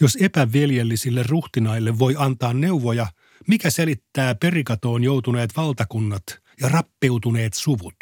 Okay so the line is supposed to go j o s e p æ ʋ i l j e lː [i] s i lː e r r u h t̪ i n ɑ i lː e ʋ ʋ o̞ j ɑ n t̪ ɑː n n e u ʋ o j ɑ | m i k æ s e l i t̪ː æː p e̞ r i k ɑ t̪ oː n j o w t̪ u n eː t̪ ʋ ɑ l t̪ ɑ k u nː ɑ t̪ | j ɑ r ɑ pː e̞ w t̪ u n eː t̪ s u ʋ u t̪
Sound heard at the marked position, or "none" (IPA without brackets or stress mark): i